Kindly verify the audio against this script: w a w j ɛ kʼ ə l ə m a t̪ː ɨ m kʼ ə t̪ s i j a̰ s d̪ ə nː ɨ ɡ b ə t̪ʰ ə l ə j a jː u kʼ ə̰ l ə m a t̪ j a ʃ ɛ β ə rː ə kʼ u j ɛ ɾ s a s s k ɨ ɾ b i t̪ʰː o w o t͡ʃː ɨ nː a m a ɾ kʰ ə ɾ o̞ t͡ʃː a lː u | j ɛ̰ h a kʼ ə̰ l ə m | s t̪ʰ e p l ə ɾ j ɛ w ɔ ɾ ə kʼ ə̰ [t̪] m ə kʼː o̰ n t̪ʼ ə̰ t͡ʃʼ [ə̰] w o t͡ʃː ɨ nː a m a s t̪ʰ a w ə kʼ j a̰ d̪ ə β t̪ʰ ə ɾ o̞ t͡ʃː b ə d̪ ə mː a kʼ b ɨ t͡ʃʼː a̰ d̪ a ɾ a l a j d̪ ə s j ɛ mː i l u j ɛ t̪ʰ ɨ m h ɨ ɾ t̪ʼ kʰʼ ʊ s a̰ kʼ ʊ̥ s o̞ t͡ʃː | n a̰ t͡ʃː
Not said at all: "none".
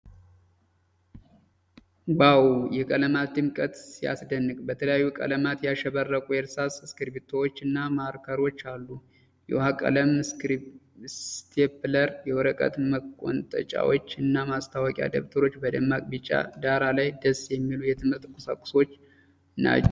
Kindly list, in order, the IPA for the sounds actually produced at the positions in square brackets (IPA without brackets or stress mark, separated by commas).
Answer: t̪, a̰